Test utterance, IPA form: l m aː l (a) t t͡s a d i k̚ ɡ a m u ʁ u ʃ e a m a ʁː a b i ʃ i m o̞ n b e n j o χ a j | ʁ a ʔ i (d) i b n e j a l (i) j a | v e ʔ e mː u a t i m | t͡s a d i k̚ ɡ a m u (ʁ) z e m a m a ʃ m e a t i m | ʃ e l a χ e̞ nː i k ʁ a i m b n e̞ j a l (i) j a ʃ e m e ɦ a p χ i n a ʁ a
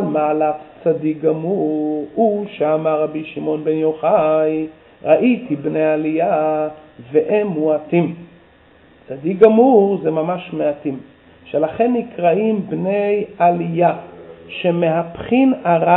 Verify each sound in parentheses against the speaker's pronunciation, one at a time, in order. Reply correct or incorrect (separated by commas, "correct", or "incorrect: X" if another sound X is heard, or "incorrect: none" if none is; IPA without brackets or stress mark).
correct, incorrect: t, correct, correct, correct